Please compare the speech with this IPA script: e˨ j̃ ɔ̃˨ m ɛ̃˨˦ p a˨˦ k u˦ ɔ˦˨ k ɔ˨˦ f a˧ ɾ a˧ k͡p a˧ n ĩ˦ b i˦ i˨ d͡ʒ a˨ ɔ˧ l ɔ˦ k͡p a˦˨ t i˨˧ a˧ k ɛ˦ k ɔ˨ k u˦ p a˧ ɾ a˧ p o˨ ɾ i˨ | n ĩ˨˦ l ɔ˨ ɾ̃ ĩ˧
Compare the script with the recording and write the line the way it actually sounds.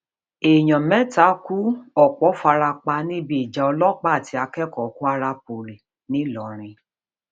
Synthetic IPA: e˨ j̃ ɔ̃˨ m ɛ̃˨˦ t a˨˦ k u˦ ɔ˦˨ k͡p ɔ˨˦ f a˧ ɾ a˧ k͡p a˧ n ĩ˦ b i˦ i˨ d͡ʒ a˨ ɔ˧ l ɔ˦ k͡p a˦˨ t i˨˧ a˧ k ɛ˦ k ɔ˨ k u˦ a˧ ɾ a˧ p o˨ ɾ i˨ | n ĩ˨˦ l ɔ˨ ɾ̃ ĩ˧